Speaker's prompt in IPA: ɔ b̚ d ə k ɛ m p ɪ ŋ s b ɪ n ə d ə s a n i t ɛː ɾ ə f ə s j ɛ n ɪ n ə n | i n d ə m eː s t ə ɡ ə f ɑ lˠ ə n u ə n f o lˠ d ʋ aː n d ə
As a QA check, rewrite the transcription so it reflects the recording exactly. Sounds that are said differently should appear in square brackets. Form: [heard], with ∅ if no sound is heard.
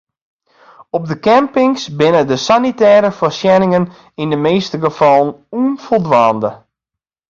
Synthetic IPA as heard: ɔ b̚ d ə k ɛ m p ɪ ŋ s b ɪ n ə d ə s a n i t ɛː ɾ ə f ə s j ɛ n ɪ [ŋ] ə n | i n d ə m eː s t ə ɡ ə f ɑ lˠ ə n u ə n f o lˠ d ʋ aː n d ə